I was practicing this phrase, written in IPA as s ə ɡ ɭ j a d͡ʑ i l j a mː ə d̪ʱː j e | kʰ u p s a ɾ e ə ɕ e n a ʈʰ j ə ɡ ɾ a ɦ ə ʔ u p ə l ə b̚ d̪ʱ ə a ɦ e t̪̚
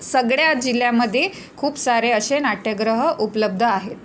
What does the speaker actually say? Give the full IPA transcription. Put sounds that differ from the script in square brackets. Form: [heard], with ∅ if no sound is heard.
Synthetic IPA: s ə ɡ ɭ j a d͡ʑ i l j a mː ə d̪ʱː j e | kʰ [uː] p s a ɾ e ə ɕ e n a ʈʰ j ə ɡ ɾ [ə] ɦ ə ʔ u p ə l ə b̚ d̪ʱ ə a ɦ e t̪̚